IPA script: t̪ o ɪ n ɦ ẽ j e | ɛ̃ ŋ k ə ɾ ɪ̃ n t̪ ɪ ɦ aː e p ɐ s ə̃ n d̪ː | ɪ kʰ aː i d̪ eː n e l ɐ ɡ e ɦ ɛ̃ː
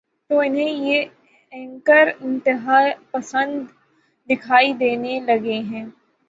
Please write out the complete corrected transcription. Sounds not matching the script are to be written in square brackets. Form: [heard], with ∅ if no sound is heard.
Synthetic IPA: t̪ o ɪ n ɦ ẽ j e | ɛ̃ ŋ k ə ɾ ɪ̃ n t̪ ɪ ɦ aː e p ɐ s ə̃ n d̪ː | ɪ kʰ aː i d̪ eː n e l ɐ ɡ e ɦ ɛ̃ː